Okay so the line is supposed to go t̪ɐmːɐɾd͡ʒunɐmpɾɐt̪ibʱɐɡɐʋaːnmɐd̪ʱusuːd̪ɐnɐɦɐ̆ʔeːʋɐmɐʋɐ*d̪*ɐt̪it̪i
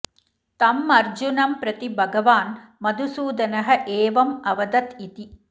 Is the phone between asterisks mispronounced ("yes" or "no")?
no